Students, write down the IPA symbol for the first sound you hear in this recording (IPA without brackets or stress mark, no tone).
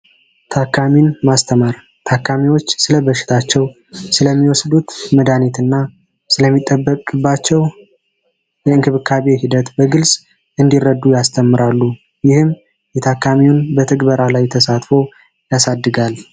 t̪ʰ